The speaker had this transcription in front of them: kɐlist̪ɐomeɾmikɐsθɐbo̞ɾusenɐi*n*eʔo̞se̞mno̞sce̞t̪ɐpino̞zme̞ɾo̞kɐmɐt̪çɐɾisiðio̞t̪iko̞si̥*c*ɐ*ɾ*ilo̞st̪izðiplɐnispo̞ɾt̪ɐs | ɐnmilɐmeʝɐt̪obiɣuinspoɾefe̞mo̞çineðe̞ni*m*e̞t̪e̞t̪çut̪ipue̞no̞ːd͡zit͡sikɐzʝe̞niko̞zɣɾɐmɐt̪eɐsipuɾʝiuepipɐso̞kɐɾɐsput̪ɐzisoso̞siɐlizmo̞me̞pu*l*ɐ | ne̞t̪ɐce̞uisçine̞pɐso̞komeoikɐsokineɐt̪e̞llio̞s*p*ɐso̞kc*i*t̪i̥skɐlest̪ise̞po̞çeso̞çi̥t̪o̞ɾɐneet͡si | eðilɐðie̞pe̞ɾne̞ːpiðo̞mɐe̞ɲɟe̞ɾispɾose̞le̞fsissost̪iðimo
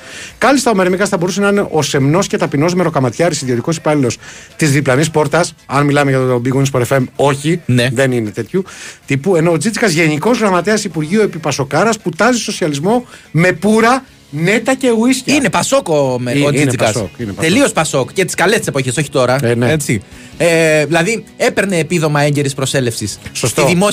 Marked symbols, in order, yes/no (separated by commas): yes, no, no, no, no, yes, no